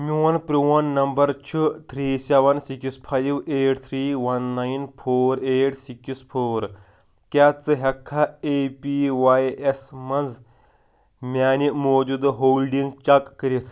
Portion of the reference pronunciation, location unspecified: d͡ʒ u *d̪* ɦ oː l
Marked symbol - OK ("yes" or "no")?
yes